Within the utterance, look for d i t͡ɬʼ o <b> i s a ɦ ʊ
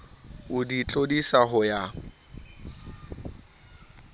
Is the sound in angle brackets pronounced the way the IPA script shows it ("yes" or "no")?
no